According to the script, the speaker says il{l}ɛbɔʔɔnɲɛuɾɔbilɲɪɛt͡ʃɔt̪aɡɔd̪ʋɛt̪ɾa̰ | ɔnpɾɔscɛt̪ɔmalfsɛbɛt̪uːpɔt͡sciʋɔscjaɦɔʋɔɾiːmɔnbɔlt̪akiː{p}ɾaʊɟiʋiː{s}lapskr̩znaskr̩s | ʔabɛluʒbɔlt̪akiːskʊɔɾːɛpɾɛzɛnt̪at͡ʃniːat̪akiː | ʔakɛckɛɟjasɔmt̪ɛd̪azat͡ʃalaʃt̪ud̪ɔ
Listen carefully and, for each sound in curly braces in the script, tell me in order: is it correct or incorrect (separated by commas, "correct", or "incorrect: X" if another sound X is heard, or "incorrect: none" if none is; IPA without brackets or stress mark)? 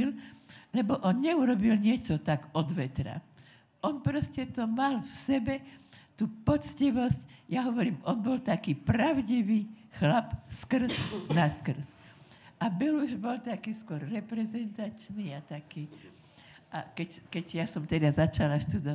correct, correct, incorrect: x